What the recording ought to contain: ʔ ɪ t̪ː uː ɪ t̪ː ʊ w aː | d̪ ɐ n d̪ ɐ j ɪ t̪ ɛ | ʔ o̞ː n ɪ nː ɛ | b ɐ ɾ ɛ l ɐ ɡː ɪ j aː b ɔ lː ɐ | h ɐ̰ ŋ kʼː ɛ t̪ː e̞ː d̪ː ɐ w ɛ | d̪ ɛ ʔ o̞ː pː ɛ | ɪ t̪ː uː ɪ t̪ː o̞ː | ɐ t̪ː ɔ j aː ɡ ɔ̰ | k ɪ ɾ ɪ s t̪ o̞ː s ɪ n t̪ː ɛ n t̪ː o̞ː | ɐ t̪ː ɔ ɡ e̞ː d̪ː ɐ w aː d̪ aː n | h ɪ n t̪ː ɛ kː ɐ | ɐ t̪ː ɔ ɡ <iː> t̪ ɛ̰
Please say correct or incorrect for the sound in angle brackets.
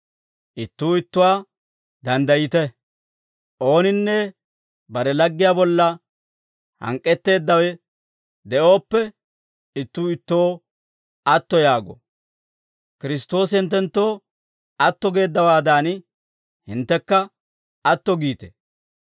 correct